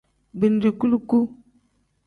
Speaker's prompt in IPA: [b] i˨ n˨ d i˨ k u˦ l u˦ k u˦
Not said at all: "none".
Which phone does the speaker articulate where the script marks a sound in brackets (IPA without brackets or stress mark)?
b